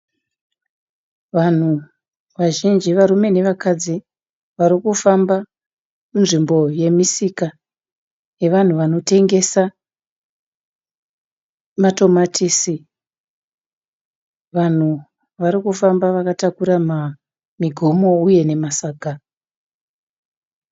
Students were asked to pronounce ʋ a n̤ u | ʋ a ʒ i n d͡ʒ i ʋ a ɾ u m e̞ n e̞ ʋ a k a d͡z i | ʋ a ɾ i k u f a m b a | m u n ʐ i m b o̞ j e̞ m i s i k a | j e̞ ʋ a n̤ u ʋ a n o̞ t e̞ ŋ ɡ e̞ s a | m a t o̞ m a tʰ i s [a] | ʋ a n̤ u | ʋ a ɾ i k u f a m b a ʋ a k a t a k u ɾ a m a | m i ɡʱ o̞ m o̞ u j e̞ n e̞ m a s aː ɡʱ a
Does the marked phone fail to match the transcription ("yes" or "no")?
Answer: yes